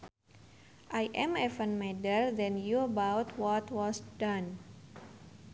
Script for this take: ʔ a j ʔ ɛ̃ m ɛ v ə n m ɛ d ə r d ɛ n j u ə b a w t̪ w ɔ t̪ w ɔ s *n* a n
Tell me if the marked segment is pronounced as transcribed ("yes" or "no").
no